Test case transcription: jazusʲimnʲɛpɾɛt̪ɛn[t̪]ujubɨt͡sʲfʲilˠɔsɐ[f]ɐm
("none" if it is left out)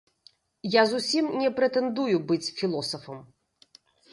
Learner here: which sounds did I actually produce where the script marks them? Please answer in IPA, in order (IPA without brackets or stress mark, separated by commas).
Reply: d̪, f